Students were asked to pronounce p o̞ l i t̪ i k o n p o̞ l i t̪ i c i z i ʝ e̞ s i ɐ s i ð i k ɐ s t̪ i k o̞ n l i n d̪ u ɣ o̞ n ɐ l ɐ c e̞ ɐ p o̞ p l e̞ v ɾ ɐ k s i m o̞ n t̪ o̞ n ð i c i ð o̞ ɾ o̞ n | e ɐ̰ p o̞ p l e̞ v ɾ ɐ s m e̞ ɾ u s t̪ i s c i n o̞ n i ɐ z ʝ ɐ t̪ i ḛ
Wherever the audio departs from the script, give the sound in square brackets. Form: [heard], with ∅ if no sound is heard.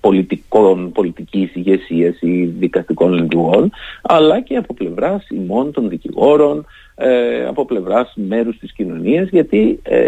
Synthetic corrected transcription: p o̞ l i t̪ i k o n p o̞ l i t̪ i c i [s] i ʝ e̞ s i ɐ s i ð i k ɐ s t̪ i k o̞ n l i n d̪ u ɣ o̞ n ɐ l ɐ c e̞ ɐ p o̞ p l e̞ v ɾ ɐ [∅] s i m o̞ n t̪ o̞ n ð i c i [ɣ] o̞ ɾ o̞ n | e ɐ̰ p o̞ p l e̞ v ɾ ɐ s m e̞ ɾ u s t̪ i s c i n o̞ n i ɐ z ʝ ɐ t̪ i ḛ